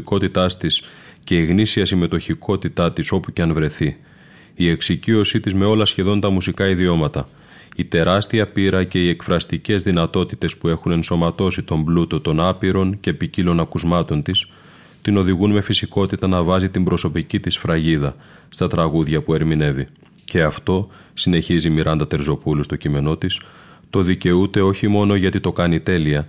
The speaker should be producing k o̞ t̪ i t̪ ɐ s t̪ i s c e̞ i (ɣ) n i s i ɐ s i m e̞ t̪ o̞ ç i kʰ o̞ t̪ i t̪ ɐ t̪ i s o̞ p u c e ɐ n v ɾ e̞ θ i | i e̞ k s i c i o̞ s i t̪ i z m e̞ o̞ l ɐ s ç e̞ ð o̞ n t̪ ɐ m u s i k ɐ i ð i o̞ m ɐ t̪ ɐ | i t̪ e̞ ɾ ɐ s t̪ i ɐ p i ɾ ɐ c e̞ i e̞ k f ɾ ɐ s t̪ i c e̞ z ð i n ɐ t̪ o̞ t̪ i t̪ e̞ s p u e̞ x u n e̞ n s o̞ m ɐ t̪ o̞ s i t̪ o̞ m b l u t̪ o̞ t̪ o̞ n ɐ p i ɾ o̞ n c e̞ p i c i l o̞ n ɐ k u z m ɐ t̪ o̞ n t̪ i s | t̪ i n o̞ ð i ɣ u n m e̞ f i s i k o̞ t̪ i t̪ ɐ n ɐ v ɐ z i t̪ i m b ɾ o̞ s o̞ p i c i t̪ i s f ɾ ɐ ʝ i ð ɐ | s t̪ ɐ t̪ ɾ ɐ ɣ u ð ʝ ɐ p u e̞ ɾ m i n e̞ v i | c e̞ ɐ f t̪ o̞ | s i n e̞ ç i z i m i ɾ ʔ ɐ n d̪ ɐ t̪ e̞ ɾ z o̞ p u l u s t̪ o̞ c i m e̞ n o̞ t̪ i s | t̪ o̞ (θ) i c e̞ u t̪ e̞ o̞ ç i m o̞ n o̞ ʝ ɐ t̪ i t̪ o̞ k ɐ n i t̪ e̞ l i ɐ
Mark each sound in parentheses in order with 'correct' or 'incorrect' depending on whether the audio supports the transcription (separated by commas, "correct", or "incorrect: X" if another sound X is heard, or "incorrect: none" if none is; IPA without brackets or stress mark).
correct, incorrect: ð